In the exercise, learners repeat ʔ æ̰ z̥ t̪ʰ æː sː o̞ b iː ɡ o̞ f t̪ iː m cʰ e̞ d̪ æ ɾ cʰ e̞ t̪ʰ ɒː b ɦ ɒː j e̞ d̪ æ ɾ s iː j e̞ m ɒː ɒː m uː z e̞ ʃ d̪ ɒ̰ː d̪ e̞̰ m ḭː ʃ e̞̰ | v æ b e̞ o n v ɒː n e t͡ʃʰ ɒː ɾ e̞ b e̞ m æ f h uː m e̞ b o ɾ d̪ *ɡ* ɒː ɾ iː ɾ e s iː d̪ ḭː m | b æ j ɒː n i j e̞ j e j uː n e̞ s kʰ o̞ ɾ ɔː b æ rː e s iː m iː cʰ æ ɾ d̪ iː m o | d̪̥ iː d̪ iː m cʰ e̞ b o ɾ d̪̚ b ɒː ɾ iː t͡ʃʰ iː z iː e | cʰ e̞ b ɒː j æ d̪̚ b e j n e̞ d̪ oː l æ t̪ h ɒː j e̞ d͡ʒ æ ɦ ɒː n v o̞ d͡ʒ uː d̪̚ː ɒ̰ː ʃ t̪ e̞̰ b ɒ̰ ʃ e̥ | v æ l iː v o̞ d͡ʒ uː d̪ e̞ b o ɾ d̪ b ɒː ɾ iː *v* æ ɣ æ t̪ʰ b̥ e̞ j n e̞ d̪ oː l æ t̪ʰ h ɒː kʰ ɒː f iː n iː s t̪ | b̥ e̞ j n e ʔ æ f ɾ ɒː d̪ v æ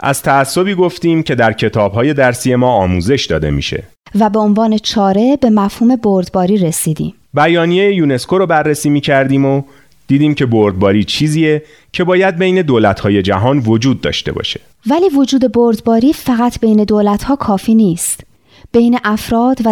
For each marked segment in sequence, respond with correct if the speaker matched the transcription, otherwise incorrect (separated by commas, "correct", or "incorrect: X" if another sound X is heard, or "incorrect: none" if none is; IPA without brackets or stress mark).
incorrect: b, incorrect: f